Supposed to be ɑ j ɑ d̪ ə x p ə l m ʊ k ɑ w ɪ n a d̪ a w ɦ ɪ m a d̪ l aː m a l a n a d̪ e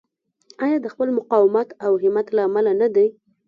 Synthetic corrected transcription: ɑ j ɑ d̪ ə x p ə l m ʊ q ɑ w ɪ m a t̪ a w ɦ ɪ m a t̪ l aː m a l a n a d̪ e

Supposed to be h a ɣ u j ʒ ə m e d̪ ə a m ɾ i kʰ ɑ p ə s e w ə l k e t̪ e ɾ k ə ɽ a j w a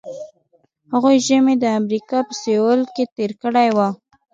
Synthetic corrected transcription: h a ɣ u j ʒ ə m e d̪ ə a m ɾ i k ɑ p ə s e w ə l k e t̪ e ɾ k ə ɽ a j w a

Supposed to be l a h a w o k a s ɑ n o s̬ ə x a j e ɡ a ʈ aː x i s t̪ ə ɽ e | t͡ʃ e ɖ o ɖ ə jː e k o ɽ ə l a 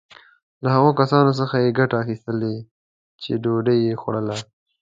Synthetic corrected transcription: l a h a ɣ o k a s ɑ n o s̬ ə x a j e ɡ a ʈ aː x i s t̪ ə l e | t͡ʃ e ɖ o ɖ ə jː e x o ɽ ə l a

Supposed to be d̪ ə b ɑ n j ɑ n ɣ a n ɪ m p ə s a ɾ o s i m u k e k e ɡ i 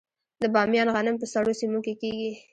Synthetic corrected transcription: d̪ ə b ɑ m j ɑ n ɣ a n ɪ m p ə s a ɽ o s i m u k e k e ɡ i

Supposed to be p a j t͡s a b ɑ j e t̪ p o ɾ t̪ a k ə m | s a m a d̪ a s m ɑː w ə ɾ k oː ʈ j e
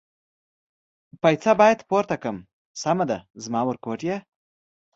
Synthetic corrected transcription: p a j t͡s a b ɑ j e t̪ p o ɾ t̪ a k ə m | s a m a d̪ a z m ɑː w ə ɾ k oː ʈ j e

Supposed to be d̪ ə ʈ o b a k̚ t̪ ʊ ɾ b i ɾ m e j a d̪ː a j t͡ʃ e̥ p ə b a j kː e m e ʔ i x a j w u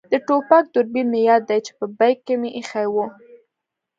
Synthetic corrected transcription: d̪ ə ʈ o p a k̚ d̪ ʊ ɾ b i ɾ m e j ɑ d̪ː a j t͡ʃ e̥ p ə b a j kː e m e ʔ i x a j w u

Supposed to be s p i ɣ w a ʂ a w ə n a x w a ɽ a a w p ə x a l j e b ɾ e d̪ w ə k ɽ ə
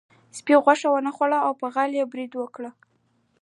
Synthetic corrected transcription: s p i ɣ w a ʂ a w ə n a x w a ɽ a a w p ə ɣ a l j e b ɾ i d̪ w ə k ɽ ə

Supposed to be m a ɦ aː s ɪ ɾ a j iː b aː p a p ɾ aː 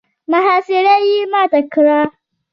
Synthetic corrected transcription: m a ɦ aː s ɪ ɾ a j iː m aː t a k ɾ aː

